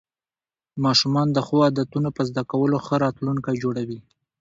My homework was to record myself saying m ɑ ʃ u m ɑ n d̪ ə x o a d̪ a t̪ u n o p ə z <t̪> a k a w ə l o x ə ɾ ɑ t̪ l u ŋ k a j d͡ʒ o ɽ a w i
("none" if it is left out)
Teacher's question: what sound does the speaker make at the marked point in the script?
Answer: d̪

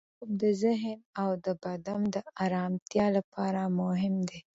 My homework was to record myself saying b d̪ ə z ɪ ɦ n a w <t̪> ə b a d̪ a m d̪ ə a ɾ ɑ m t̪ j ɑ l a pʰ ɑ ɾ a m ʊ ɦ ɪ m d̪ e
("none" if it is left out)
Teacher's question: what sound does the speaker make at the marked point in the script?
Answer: d̪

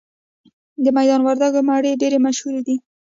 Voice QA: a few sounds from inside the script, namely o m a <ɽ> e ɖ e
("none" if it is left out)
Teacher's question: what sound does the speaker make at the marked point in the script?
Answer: ɽ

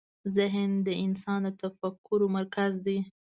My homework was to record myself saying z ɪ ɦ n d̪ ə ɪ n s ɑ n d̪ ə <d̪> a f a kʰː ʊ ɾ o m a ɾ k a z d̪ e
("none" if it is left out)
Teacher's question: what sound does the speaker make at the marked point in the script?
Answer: t̪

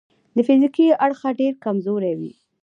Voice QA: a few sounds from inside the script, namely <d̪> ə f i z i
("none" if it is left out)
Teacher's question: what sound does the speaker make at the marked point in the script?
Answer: d̪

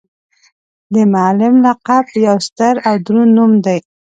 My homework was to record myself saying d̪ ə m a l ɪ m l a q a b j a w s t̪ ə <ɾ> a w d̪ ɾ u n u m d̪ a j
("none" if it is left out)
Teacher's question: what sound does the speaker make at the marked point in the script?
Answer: ɾ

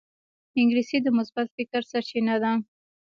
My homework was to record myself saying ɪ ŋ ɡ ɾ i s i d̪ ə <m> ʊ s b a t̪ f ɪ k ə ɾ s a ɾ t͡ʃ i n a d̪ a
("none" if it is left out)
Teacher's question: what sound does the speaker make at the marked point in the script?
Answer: m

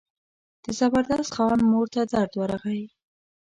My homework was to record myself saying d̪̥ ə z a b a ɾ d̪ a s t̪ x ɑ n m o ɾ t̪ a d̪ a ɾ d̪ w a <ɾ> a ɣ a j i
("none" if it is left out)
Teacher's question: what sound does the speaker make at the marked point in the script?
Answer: ɾ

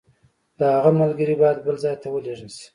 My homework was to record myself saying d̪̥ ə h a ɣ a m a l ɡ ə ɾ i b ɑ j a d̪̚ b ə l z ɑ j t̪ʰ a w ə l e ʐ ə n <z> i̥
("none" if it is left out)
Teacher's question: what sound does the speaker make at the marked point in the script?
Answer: s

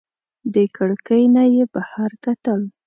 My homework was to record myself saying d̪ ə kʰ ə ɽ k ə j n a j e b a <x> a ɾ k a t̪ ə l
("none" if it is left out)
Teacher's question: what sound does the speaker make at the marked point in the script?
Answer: h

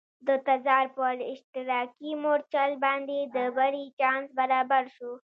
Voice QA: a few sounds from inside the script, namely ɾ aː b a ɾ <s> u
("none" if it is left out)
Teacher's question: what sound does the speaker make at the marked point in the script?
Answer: ʃ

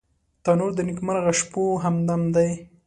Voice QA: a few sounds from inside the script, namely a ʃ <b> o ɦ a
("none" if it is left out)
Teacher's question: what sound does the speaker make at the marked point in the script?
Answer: p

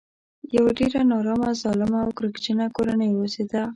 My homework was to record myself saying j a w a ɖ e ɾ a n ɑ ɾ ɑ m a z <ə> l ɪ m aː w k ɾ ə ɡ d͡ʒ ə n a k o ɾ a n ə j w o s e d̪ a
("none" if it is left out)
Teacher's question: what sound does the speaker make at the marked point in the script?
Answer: ɑ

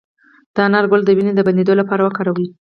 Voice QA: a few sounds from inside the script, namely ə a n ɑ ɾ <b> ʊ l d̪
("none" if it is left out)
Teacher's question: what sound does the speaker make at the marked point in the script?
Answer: ɡ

